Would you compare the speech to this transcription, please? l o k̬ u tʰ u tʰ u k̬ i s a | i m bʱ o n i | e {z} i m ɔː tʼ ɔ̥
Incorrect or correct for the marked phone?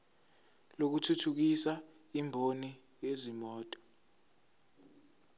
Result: correct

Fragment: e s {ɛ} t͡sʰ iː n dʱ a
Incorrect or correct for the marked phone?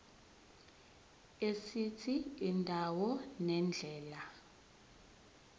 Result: incorrect: i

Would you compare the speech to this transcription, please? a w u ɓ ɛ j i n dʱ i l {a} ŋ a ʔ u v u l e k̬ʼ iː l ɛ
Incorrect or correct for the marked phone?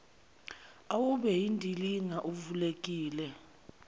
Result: incorrect: i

